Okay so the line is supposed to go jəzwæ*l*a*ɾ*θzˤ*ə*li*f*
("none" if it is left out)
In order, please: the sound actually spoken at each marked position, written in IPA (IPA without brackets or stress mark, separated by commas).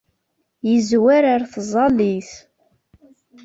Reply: ɾ, ɾ, ɑ, θ